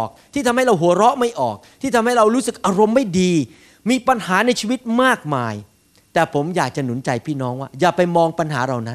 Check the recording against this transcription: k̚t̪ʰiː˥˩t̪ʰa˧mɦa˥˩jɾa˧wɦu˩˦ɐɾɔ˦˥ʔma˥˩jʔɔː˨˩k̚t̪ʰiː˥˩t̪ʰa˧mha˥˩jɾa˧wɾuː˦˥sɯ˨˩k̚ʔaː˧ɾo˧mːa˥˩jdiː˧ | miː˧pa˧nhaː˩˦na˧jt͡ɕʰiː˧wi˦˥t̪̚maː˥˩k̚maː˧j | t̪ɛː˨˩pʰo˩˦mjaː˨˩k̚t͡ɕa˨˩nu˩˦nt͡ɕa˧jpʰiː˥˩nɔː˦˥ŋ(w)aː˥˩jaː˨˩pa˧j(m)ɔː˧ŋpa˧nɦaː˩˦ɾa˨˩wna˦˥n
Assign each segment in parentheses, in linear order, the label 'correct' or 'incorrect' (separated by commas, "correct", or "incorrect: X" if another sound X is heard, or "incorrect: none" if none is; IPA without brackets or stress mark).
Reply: correct, correct